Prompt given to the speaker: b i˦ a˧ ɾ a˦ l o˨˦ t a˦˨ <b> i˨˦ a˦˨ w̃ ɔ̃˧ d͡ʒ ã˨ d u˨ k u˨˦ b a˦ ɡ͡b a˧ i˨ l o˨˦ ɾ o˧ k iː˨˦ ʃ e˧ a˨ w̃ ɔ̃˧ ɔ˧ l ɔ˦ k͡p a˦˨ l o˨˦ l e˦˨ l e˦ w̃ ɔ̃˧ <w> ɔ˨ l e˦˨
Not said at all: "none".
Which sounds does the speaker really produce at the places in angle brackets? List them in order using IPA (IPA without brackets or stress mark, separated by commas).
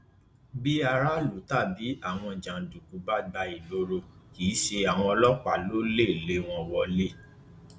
b, w